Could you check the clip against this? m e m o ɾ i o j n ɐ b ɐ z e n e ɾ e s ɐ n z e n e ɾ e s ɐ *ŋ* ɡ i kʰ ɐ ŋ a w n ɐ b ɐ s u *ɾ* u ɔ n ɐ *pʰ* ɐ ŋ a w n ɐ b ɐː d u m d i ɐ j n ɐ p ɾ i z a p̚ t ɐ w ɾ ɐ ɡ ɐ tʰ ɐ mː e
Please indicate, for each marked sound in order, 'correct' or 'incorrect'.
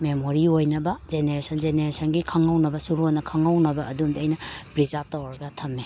incorrect: n, correct, incorrect: kʰ

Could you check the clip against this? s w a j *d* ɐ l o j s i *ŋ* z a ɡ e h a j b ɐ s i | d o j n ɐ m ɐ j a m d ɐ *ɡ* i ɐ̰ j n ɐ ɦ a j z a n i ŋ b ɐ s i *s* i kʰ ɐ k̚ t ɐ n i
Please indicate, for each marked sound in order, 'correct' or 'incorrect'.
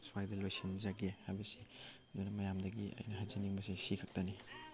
correct, incorrect: n, correct, correct

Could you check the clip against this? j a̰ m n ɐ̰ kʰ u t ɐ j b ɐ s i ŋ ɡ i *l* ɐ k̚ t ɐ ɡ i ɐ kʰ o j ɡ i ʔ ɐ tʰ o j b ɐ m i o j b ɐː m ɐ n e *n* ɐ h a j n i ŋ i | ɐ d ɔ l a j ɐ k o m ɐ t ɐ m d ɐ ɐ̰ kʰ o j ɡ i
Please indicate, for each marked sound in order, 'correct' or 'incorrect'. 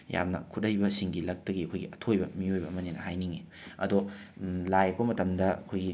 correct, correct

